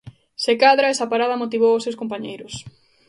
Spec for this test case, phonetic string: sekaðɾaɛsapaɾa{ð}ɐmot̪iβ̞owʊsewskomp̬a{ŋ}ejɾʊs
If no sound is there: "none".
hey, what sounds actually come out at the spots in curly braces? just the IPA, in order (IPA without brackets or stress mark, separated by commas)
ð, ɲ